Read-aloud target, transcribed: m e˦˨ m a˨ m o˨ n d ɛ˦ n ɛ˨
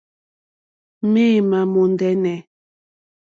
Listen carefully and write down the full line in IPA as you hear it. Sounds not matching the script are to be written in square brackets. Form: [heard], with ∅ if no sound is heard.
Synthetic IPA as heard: m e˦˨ m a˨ m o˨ n d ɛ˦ n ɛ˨